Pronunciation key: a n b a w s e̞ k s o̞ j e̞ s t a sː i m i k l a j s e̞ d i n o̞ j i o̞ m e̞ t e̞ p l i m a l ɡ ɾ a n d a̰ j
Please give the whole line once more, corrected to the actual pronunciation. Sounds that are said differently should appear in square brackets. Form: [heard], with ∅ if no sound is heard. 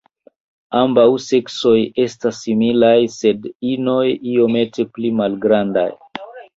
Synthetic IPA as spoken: a [m] b a w s e̞ k s o̞ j e̞ s t a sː i m i [∅] l a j s e̞ d i n o̞ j i o̞ m e̞ t e̞ p l i m a l ɡ ɾ a n d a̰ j